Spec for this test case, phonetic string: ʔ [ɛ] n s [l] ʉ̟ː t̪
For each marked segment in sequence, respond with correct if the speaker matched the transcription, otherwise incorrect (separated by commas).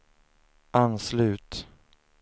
incorrect, correct